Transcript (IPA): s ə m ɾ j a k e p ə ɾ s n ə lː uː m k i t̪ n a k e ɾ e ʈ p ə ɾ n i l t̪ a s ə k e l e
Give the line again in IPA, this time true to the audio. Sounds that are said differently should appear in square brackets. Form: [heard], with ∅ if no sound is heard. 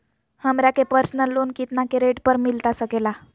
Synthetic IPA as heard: [h] ə m ɾ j a k e p ə ɾ s n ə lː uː [n] k i t̪ n a k e ɾ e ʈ p ə ɾ [m] i l t̪ a s ə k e l [a]